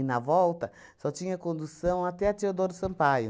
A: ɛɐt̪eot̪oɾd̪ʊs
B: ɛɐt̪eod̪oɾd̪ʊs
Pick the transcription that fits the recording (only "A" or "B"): B